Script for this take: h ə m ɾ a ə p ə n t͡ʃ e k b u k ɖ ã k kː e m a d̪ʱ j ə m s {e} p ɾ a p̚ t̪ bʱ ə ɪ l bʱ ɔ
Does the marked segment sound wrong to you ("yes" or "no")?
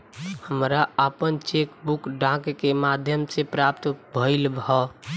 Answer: no